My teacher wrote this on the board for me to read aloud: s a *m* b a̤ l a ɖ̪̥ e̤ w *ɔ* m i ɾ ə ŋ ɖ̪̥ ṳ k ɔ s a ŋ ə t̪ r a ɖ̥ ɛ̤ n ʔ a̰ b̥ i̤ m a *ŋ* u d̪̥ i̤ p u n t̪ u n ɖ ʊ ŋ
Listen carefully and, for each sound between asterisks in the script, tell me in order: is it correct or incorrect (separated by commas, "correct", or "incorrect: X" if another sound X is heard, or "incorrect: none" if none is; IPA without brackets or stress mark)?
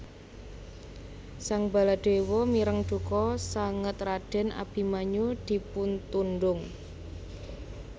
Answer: incorrect: ŋ, correct, incorrect: ɲ